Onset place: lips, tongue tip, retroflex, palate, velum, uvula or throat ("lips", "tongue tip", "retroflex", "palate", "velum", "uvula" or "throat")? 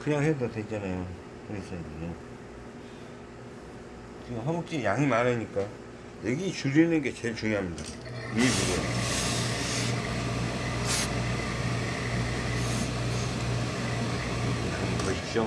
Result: velum